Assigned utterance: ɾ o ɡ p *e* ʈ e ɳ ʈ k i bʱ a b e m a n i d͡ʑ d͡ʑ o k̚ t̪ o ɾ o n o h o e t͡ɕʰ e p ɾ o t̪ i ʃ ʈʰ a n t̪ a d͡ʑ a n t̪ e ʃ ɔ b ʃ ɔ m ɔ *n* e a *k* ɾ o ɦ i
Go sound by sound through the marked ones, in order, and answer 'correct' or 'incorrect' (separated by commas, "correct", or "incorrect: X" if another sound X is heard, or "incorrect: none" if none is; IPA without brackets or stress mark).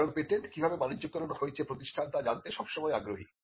correct, incorrect: none, incorrect: ɡ